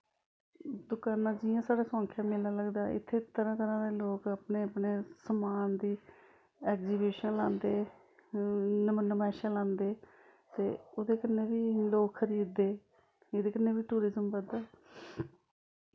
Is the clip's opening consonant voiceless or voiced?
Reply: voiced